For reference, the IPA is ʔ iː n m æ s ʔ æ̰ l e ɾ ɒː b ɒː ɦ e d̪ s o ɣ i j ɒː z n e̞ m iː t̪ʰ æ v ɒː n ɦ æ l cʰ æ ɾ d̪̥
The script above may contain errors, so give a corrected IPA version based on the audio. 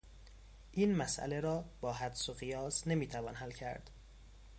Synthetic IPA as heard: ʔ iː n m æ s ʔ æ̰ l e ɾ ɒː b ɒː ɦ æ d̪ s o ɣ i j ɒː s n e̞ m iː t̪ʰ æ v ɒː n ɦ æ l cʰ æ ɾ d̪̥

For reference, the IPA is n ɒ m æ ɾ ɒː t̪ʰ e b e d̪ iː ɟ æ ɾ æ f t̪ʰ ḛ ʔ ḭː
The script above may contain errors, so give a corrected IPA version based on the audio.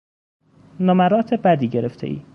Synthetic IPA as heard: n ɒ m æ ɾ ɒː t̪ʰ e b æ d̪ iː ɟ e ɾ e f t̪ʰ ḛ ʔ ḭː

